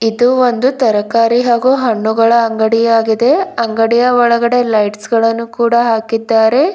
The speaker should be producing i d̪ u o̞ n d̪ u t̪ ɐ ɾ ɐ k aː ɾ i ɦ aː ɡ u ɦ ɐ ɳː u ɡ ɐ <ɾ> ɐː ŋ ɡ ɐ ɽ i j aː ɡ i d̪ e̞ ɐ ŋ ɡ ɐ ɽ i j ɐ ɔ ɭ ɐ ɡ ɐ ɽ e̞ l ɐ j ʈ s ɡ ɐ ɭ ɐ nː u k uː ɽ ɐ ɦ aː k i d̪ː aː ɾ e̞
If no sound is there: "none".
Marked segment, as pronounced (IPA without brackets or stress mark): ɭ